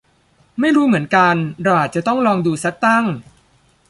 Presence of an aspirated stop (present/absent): absent